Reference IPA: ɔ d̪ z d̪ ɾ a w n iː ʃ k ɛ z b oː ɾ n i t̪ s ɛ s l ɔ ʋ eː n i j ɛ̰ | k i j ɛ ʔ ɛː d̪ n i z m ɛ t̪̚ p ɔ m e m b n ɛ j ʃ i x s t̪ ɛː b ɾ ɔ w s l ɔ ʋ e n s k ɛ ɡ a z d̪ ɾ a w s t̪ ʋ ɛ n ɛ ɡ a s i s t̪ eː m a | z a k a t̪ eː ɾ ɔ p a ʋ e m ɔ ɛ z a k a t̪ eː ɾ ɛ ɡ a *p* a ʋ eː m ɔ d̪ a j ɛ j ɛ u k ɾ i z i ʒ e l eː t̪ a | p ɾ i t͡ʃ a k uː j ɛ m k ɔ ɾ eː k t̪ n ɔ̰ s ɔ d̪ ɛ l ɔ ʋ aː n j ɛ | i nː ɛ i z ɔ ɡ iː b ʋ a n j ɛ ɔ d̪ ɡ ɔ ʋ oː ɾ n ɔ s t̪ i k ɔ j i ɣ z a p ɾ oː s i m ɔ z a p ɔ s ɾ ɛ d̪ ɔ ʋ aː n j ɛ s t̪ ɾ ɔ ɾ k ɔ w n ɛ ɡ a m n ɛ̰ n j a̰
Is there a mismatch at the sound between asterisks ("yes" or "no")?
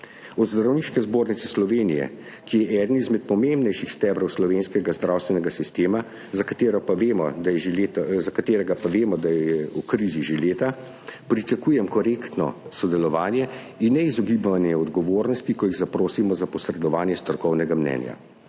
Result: no